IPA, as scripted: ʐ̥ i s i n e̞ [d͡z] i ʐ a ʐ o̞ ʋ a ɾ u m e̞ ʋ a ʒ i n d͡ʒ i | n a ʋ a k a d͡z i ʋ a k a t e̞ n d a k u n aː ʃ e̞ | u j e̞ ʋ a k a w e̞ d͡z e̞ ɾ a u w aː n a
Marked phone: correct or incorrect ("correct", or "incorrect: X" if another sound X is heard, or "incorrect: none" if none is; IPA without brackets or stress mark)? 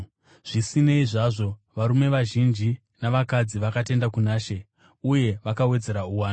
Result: incorrect: none